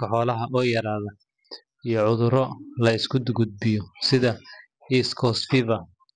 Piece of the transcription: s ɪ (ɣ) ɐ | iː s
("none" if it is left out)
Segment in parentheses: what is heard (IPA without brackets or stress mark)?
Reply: ð